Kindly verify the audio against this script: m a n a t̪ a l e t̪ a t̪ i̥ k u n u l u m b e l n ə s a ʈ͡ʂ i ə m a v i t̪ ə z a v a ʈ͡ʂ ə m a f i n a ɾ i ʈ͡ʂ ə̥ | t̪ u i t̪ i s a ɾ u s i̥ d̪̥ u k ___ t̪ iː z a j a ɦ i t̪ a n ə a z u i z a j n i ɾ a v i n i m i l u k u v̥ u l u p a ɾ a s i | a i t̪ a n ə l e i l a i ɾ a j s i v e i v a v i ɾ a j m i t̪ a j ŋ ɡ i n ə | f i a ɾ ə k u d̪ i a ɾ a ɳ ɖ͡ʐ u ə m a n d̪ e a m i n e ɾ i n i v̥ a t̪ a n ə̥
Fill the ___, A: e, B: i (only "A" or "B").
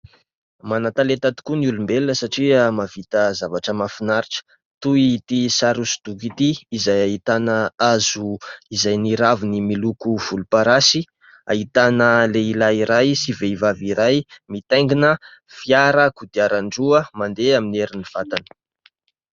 B